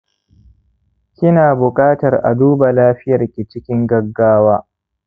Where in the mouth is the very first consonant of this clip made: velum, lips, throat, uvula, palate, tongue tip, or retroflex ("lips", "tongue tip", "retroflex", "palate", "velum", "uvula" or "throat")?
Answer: velum